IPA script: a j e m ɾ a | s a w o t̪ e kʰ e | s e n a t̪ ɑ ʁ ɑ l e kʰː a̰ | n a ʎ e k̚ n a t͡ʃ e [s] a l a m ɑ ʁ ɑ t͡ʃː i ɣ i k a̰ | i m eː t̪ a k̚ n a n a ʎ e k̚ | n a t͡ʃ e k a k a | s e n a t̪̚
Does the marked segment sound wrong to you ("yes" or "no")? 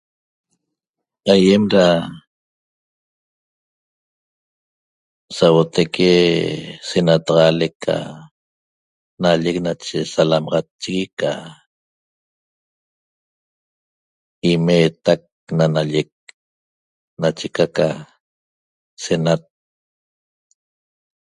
no